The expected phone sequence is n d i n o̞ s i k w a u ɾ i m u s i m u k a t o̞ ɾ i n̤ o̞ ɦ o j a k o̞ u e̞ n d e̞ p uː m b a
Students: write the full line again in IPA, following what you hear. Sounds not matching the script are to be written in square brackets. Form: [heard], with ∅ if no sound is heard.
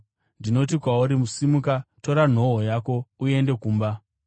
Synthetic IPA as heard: n d i n o̞ [t] i k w a u ɾ i m u s i m u k a t o̞ ɾ [a] n̤ o̞ ɦ o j a k o̞ u e̞ n d e̞ [k] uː m b a